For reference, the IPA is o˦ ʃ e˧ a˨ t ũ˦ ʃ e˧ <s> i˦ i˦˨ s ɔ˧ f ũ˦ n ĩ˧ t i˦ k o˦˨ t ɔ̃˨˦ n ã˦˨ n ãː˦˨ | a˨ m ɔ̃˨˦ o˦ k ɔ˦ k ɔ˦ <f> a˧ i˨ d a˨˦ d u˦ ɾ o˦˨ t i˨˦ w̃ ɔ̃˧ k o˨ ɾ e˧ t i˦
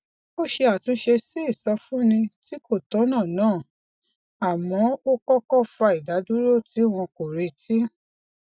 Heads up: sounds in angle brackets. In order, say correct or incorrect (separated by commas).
correct, correct